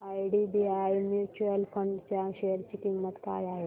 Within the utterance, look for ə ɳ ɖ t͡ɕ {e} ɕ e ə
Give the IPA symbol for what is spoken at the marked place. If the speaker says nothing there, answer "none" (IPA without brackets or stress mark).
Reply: a